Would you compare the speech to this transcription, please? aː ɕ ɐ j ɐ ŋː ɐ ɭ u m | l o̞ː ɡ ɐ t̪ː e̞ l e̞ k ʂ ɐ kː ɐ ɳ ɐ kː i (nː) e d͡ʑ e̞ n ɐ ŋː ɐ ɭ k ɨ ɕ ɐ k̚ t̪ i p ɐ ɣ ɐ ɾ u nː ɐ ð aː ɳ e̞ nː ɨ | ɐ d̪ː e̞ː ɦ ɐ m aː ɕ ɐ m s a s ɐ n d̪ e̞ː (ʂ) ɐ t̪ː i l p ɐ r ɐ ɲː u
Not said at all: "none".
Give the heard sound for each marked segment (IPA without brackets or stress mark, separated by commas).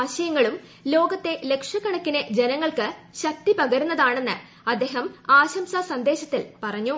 n, ɕ